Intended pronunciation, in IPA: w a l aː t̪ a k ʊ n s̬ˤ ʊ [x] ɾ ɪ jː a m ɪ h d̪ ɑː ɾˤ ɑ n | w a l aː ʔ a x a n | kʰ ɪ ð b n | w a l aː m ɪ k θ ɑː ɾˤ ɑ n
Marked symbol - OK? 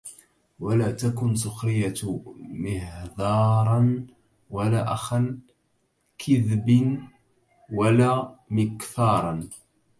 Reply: yes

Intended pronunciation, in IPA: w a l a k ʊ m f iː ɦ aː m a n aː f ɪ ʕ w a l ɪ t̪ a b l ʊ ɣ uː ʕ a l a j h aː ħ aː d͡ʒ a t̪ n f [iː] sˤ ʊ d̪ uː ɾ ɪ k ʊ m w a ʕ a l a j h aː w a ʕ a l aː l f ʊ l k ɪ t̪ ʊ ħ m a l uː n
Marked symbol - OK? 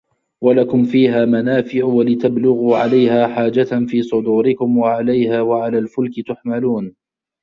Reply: yes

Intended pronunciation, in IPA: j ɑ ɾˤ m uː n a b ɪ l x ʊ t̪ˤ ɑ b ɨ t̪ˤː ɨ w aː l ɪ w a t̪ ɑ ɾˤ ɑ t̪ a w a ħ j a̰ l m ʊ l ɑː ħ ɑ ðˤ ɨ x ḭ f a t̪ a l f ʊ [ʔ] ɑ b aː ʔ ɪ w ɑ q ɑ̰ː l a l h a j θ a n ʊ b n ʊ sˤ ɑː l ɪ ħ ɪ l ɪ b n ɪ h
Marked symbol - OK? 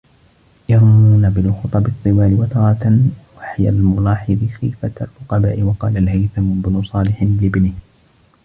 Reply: no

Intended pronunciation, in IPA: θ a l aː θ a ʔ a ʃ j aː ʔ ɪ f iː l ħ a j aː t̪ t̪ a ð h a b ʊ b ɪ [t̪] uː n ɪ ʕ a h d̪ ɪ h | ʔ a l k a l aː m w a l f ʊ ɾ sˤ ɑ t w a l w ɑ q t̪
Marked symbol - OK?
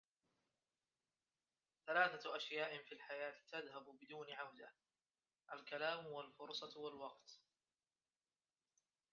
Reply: no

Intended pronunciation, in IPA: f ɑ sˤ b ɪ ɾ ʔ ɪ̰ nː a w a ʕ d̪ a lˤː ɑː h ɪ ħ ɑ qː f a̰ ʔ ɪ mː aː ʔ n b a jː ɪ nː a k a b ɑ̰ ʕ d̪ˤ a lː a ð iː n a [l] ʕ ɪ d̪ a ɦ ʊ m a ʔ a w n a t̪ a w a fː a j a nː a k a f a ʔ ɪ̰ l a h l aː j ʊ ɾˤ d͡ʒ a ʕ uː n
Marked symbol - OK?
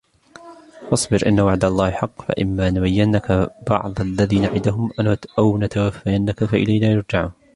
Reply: no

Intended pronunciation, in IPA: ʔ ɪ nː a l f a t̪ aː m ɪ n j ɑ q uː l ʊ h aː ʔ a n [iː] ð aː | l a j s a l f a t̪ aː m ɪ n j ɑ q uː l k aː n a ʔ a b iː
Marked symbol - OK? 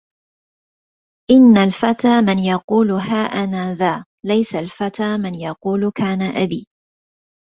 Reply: no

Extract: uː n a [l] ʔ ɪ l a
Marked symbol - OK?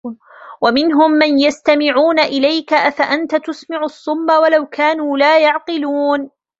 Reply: no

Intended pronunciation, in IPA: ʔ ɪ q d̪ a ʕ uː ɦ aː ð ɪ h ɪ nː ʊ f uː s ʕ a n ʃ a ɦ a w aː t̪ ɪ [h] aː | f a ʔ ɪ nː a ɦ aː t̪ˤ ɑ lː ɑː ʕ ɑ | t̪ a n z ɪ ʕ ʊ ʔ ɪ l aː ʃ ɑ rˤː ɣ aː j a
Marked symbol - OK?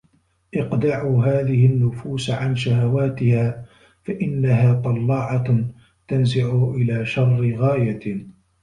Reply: yes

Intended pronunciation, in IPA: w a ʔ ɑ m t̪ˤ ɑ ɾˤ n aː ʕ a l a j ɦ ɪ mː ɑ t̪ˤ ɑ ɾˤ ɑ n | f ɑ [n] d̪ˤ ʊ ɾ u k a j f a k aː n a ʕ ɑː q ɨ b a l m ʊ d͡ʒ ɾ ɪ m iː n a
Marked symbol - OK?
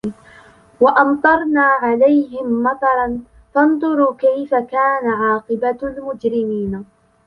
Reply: yes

